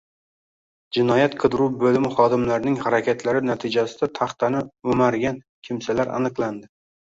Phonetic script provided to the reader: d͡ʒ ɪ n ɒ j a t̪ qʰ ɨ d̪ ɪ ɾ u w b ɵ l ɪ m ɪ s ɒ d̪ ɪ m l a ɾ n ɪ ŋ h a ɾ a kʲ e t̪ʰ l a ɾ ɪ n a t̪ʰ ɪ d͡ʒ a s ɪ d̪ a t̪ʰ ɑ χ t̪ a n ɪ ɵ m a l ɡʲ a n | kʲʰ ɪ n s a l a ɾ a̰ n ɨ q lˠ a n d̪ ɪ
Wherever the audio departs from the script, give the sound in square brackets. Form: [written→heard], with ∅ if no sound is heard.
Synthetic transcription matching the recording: d͡ʒ ɪ n ɒ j a t̪ qʰ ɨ d̪ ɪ ɾ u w b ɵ l ɪ m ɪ [s→χ] ɒ d̪ ɪ m l a ɾ n ɪ ŋ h a ɾ a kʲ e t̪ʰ l a ɾ ɪ n a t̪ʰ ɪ d͡ʒ a s ɪ d̪ a t̪ʰ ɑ χ t̪ a n ɪ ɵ m a [l→ɾ] ɡʲ a n | kʲʰ ɪ [n→m] s a l a ɾ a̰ n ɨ q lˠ a n d̪ ɪ